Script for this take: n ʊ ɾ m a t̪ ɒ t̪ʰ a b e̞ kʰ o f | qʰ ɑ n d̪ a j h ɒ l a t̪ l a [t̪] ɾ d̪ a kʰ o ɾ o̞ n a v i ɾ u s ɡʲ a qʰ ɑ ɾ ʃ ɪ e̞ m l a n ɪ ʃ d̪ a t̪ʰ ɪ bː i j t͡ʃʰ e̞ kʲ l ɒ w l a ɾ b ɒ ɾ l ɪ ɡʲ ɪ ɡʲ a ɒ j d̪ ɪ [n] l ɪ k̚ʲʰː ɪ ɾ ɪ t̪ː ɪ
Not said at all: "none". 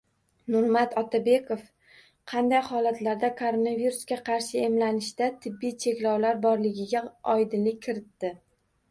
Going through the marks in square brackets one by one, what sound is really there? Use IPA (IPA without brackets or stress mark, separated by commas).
none, n